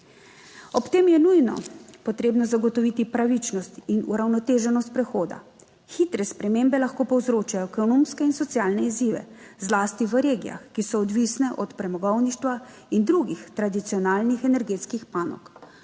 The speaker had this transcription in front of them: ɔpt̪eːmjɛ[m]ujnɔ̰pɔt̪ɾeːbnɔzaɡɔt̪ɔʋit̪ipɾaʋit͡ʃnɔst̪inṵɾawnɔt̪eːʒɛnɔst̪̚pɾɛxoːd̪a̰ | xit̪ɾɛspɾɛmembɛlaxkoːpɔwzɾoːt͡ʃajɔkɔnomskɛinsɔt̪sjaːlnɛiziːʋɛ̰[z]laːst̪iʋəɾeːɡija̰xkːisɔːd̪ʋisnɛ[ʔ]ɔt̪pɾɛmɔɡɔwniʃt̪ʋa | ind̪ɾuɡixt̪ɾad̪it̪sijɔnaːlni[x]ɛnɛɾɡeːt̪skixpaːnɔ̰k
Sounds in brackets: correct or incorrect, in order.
incorrect: n, correct, correct, correct

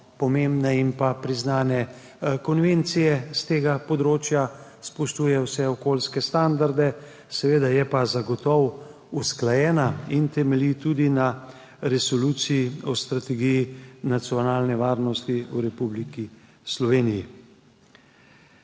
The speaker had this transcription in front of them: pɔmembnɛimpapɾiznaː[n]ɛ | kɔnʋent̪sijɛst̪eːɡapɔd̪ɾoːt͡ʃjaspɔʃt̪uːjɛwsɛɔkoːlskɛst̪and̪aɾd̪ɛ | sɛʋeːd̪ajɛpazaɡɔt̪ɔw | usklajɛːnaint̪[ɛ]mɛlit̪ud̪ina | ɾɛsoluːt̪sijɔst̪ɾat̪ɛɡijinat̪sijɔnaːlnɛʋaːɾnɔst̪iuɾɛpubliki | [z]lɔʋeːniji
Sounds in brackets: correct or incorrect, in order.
correct, correct, incorrect: s

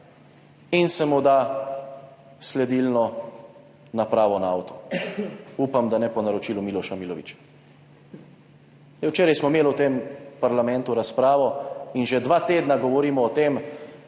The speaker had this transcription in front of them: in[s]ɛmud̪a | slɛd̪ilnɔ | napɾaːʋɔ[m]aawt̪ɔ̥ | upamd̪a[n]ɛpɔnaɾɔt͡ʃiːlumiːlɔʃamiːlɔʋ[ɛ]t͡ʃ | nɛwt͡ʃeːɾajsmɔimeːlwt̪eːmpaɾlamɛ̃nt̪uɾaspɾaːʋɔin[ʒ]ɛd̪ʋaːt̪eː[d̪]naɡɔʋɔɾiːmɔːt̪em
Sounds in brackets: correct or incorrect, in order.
correct, incorrect: n, correct, incorrect: i, correct, correct

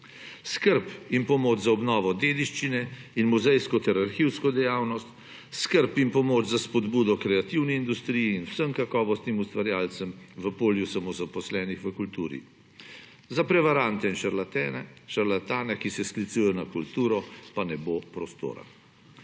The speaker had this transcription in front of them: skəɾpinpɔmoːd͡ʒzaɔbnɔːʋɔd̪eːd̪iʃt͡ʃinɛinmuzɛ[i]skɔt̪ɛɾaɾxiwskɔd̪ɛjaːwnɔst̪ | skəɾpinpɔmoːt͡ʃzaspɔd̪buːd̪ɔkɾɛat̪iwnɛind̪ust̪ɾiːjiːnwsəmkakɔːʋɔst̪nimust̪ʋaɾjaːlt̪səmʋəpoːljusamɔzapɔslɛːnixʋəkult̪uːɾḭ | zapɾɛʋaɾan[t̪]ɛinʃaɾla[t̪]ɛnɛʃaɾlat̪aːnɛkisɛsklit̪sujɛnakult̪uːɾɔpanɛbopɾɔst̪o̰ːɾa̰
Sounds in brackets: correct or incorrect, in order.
incorrect: j, correct, correct

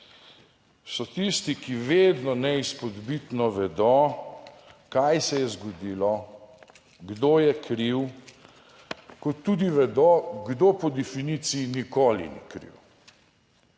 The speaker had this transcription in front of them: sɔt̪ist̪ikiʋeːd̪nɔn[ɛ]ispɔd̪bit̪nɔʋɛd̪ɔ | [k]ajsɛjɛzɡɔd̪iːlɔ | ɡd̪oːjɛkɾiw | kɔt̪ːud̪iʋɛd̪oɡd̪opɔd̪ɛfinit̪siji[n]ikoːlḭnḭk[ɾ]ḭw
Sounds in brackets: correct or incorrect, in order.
correct, correct, correct, correct

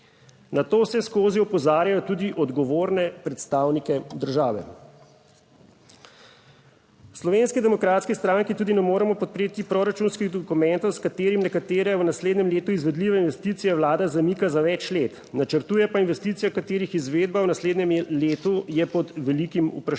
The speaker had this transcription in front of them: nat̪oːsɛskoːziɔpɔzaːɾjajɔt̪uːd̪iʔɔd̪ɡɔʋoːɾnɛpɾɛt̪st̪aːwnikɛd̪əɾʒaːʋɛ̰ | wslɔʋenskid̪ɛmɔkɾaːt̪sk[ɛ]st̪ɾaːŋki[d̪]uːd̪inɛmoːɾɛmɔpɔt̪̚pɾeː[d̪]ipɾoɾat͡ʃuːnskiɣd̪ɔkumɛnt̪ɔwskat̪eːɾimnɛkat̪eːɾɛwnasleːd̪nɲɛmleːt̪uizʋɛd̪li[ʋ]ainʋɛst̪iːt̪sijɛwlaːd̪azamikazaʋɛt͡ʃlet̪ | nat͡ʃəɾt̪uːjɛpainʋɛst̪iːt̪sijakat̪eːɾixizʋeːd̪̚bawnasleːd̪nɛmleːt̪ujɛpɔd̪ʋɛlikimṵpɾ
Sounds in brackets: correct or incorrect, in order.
incorrect: i, incorrect: t̪, incorrect: t̪, correct

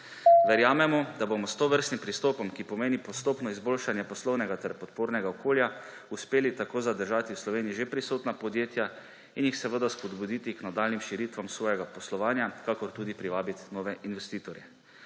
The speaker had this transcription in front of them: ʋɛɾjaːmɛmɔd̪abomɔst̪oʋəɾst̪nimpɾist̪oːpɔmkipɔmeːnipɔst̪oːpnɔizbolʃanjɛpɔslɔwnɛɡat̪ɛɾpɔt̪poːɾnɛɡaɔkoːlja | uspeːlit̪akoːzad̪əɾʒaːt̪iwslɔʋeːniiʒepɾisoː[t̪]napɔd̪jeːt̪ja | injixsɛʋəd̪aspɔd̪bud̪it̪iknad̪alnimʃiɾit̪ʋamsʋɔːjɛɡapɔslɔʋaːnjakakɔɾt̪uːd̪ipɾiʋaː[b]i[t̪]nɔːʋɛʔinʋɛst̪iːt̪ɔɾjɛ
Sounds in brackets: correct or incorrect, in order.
correct, correct, correct

